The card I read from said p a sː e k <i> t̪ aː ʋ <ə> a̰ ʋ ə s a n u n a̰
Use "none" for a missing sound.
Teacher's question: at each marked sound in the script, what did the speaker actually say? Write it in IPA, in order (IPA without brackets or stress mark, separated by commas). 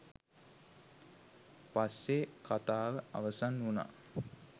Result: a, ə